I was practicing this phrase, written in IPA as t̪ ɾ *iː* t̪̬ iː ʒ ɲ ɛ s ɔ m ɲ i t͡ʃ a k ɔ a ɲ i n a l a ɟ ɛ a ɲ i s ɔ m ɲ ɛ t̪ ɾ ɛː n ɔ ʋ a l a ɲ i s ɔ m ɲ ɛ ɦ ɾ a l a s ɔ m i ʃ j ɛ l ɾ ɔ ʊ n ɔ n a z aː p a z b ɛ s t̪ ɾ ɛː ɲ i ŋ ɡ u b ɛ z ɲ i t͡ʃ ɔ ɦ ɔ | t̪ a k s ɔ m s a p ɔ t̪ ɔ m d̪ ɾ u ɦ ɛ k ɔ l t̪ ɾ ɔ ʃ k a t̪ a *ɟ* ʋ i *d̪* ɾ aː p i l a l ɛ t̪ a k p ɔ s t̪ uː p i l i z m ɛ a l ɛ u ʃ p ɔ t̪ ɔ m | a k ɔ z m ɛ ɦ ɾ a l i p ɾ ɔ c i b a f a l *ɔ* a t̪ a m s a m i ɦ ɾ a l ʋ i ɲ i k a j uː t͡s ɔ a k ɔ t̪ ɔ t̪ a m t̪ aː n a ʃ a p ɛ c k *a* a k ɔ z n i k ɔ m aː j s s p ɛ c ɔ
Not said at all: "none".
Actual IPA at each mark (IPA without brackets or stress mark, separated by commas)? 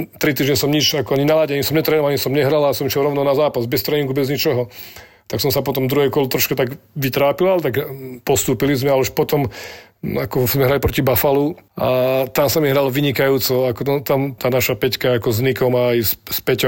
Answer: i, ɡ, t̪, u, a